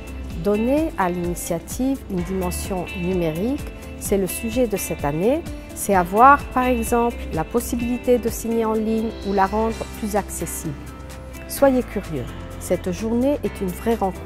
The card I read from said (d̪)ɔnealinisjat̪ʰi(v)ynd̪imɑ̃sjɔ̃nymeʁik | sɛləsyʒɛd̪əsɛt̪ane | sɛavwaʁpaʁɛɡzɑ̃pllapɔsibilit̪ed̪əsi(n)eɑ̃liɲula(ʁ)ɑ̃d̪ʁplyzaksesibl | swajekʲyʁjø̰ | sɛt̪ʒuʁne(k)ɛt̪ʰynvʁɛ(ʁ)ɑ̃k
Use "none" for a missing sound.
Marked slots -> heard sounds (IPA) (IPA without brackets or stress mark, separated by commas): d̪, v, ɲ, ʁ, ʔ, ʁ